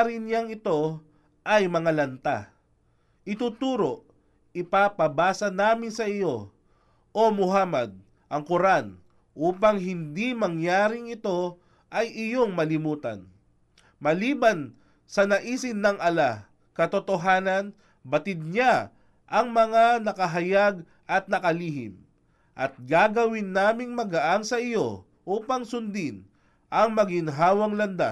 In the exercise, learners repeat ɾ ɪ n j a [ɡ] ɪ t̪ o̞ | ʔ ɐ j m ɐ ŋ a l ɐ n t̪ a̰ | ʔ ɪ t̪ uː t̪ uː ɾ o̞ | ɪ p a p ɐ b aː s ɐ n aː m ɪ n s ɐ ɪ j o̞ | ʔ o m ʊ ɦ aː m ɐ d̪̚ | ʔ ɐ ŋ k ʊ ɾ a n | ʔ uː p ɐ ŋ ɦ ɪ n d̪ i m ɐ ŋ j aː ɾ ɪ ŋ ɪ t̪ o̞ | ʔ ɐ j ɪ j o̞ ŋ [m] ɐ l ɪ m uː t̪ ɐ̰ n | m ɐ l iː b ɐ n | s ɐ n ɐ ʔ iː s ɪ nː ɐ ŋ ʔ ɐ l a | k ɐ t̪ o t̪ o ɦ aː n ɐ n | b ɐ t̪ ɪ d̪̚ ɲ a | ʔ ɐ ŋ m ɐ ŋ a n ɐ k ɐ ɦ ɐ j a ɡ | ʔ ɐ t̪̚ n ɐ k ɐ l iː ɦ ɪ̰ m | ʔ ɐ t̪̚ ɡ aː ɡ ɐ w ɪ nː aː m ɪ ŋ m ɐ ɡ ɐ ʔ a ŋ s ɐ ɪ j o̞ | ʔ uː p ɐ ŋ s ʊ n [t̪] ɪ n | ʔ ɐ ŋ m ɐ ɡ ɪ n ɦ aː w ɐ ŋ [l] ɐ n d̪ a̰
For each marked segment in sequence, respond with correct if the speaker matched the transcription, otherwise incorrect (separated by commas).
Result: incorrect, correct, incorrect, correct